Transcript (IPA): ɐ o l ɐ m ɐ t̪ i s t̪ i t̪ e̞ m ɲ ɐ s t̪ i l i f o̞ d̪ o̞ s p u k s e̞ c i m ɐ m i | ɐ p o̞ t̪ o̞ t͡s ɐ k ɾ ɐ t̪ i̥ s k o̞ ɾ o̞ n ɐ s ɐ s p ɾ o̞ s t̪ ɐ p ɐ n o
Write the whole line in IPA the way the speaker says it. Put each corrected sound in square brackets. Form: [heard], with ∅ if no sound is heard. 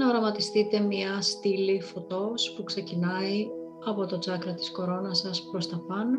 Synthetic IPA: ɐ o [ɾ] ɐ m ɐ t̪ i s t̪ i t̪ e̞ m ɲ ɐ s t̪ i l i f o̞ [t̪] o̞ s p u k s e̞ c i [n] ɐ [∅] i | ɐ p o̞ t̪ o̞ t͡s ɐ k ɾ ɐ t̪ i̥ s k o̞ ɾ o̞ n ɐ s ɐ s p ɾ o̞ s t̪ ɐ p ɐ n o